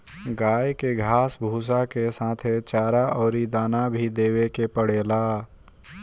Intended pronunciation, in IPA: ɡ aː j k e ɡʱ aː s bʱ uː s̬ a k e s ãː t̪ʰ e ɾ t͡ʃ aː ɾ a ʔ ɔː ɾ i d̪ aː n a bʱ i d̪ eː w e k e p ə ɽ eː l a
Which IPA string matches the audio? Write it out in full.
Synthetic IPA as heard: ɡ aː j k e ɡʱ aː s bʱ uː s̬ a k e s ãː t̪ʰ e t͡ʃ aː ɾ a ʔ ɔː ɾ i d̪ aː n a bʱ i d̪ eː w e k e p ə ɽ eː l a